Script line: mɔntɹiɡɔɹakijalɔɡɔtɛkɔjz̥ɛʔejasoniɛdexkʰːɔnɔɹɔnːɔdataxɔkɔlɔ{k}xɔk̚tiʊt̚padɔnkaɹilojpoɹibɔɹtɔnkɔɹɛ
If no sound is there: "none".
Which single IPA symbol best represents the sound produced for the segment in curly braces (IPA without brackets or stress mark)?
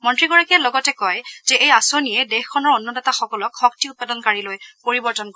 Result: k